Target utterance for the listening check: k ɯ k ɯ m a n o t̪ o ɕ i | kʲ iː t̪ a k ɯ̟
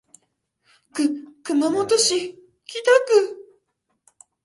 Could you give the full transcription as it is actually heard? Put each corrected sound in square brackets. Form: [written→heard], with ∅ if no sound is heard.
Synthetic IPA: k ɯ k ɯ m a [n→m] o t̪ o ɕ i | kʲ [iː→i] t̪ a k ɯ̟